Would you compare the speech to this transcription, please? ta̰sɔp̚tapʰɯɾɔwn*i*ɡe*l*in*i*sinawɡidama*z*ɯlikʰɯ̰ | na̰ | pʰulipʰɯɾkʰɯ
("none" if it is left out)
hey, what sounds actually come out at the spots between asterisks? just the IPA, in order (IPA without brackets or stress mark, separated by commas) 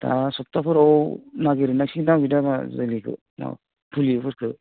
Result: a, ɾ, a, z